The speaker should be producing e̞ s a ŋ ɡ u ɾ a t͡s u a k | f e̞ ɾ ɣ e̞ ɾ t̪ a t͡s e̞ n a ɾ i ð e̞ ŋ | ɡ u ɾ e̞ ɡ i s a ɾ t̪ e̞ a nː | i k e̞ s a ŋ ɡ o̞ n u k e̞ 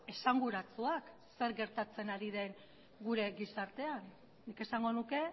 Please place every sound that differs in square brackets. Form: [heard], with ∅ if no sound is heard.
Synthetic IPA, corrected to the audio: e̞ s a ŋ ɡ u ɾ a t͡s u a k | [s] e̞ ɾ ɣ e̞ ɾ t̪ a t͡s e̞ n a ɾ i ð e̞ ŋ | ɡ u ɾ e̞ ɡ i s a ɾ t̪ e̞ a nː | i k e̞ s a ŋ ɡ o̞ n u k e̞

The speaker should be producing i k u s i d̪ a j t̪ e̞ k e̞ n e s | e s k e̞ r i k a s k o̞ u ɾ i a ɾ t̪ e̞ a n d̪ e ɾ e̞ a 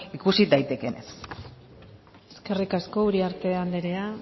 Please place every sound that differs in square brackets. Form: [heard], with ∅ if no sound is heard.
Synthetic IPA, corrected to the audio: i k u s i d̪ a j t̪ e̞ k e̞ n e s | e s k e̞ r i k a s k o̞ u ɾ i a ɾ t̪ e̞ a n d̪ e ɾ e̞ a

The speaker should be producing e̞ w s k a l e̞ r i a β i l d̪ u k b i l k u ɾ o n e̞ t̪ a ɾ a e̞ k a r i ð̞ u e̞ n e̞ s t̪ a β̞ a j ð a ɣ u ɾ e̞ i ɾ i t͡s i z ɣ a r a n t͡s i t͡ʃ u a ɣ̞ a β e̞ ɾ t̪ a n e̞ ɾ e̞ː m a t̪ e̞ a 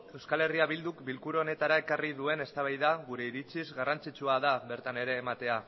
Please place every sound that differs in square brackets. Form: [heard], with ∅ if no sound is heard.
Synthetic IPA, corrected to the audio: e̞ w s k a l e̞ r i a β i l d̪ u k b i l k u ɾ o n e̞ t̪ a ɾ a e̞ k a r i ð̞ u e̞ n e̞ s t̪ a β̞ a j ð a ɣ u ɾ e̞ i ɾ i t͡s i z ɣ a r a n t͡s i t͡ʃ u a [ð̞] a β e̞ ɾ t̪ a n e̞ ɾ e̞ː m a t̪ e̞ a

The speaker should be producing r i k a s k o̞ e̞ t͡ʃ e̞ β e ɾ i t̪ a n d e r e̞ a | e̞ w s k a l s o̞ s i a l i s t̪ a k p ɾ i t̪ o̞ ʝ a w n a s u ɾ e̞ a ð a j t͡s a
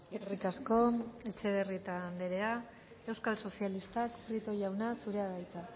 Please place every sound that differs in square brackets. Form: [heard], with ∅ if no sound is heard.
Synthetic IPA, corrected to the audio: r i k a s k o̞ e̞ t͡ʃ e̞ β e [r] i t̪ a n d e [ɾ] e̞ a | e̞ w s k a l s o̞ s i a l i s t̪ a k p ɾ i t̪ o̞ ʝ a w n a s u ɾ e̞ a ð a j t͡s a

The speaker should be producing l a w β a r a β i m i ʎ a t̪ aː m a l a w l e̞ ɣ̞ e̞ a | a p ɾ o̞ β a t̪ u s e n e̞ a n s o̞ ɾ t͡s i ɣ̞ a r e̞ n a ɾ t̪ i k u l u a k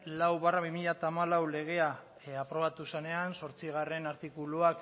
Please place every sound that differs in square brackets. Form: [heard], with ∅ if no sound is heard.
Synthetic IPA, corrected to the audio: l a w β a r a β i m i ʎ a t̪ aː m a l a w l e̞ ɣ̞ e̞ a | a p ɾ o̞ β a t̪ u s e n e̞ a n s o̞ ɾ t͡s i ɣ̞ a r e̞ n a ɾ t̪ i k u l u a k

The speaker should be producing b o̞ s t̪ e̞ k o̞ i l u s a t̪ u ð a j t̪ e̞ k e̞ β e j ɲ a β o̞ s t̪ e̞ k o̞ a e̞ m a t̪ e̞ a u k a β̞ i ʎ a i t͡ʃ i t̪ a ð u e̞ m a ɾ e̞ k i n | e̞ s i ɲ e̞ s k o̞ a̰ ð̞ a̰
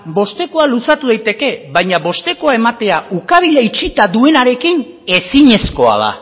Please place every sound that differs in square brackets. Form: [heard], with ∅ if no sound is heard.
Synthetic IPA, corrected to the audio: b o̞ s t̪ e̞ k o̞ [a] l u s a t̪ u ð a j t̪ e̞ k e̞ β [a] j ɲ a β o̞ s t̪ e̞ k o̞ a e̞ m a t̪ e̞ a u k a β̞ i ʎ a i t͡ʃ i t̪ a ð u e̞ [n] a ɾ e̞ k i n | e̞ s i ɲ e̞ s k o̞ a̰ ð̞ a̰

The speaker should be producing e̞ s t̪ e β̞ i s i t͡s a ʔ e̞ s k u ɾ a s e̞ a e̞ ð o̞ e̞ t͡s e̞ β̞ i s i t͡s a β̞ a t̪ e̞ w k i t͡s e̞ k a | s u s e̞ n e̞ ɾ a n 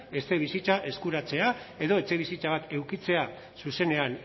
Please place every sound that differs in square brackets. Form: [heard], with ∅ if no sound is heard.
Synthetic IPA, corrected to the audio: e̞ s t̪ e β̞ i s i t͡s a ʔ e̞ s k u ɾ a [t͡s] e̞ a e̞ ð o̞ e̞ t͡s e̞ β̞ i s i t͡s a β̞ a t̪ e̞ w k i t͡s e̞ [∅] a | s u s e̞ n e̞ [∅] a n

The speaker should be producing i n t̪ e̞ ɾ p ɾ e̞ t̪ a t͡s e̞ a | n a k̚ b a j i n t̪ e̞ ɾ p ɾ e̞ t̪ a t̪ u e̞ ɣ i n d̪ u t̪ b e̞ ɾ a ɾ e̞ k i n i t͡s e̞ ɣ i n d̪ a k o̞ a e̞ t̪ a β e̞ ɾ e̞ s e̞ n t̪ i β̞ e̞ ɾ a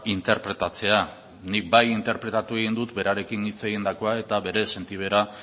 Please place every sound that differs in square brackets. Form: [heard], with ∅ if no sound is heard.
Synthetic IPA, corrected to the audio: i n t̪ e̞ ɾ p ɾ e̞ t̪ a t͡s e̞ a | n [i] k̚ b a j i n t̪ e̞ ɾ p ɾ e̞ t̪ a t̪ u e̞ ɣ i n d̪ u t̪ b e̞ ɾ a ɾ e̞ k i n i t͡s e̞ ɣ i n d̪ a k o̞ a e̞ t̪ a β e̞ ɾ e̞ s e̞ n t̪ i β̞ e̞ ɾ a

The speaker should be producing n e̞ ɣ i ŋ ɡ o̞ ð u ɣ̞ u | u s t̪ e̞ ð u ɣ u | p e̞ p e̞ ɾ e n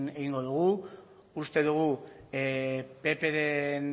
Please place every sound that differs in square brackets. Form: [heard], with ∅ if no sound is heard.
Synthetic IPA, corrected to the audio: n e̞ ɣ i ŋ ɡ o̞ ð u ɣ̞ u | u s t̪ e̞ ð u ɣ u | p e̞ p e̞ ɾ e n

